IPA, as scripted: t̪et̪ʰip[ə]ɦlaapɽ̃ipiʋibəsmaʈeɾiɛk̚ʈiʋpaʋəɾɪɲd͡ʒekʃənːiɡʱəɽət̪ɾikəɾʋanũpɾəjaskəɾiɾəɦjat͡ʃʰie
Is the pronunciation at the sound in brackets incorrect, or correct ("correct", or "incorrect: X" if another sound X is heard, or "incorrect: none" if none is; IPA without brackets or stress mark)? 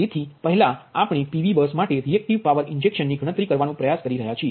correct